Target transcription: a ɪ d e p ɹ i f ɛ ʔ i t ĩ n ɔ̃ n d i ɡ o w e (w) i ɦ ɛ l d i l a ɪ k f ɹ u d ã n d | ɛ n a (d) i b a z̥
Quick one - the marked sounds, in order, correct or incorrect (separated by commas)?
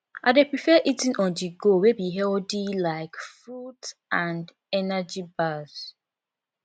incorrect, incorrect